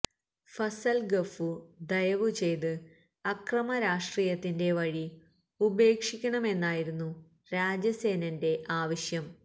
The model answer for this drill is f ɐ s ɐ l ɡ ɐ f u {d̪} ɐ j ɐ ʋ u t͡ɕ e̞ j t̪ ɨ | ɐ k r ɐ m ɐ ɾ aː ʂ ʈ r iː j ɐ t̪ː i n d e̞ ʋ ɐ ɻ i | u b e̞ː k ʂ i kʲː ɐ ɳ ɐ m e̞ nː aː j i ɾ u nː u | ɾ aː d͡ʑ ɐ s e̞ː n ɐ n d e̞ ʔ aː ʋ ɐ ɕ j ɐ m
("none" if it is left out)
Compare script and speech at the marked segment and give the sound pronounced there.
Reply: d̪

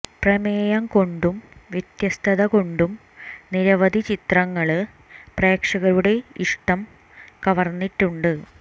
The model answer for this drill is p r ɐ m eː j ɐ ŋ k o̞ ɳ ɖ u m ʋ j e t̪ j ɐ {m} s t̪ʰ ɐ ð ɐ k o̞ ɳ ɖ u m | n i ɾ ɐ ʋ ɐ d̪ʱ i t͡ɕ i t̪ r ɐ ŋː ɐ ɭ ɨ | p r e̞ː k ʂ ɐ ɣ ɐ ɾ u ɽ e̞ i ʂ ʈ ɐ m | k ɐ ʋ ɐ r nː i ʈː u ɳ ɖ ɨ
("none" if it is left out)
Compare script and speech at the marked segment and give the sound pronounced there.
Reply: none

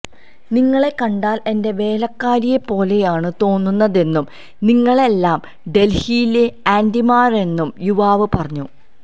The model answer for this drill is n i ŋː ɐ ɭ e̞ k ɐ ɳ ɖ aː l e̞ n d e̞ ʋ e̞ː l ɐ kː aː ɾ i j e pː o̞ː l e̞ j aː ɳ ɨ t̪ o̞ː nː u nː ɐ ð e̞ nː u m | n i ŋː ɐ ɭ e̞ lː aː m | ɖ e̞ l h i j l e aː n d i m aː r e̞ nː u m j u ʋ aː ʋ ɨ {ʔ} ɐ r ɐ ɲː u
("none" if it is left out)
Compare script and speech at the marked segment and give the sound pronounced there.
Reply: p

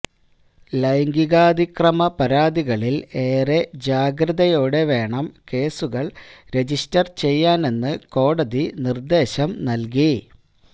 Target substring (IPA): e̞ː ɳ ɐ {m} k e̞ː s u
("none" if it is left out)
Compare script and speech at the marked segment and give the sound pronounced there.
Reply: m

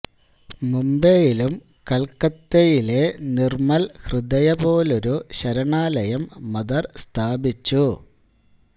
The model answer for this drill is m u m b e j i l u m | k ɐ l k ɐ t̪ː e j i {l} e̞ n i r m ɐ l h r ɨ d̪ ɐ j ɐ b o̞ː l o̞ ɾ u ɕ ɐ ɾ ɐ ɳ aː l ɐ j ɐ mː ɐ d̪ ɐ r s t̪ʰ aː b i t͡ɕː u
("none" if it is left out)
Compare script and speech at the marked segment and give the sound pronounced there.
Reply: l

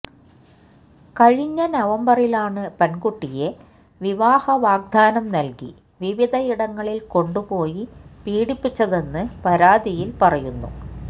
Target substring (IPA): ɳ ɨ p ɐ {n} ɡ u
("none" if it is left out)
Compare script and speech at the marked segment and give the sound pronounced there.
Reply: n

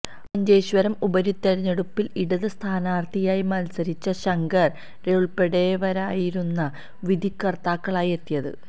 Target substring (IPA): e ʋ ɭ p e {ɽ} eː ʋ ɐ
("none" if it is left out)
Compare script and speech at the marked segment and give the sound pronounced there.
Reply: ɽ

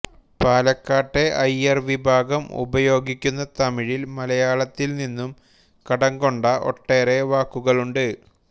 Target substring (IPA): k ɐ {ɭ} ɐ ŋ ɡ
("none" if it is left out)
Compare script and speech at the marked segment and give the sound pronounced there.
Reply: ɽ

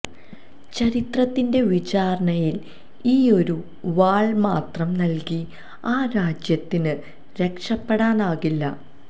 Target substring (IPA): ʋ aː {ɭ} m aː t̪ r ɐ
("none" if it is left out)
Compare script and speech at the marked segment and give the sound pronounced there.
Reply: ɭ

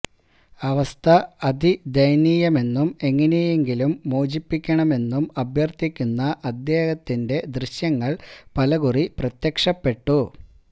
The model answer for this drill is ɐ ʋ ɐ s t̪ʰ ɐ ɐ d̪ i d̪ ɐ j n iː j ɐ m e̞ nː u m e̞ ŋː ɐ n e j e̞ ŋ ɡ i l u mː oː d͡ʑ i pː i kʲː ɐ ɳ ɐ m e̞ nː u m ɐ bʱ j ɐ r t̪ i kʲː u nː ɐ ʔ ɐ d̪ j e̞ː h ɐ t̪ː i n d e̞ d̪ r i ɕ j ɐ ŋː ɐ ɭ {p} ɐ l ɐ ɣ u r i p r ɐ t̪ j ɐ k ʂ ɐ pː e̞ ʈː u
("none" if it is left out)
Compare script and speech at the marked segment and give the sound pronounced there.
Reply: p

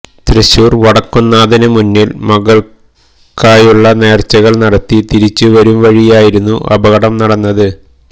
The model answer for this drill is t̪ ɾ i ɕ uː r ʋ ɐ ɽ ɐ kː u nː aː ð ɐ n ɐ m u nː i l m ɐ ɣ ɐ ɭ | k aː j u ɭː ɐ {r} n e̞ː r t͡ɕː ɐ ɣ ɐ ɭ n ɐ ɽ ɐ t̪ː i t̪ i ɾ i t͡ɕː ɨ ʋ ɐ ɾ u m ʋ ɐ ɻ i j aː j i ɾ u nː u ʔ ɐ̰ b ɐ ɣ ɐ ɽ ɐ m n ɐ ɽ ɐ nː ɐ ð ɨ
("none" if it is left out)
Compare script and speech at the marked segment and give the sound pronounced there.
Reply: none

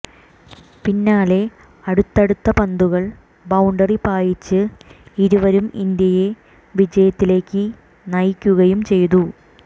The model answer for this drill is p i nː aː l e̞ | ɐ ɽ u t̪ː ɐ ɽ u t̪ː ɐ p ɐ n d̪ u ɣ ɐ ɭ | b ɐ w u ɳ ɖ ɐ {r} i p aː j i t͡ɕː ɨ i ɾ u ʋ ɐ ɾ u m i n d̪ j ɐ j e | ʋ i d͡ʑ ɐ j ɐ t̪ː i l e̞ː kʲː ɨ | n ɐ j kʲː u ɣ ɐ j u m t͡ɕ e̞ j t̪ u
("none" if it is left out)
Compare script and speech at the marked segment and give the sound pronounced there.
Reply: r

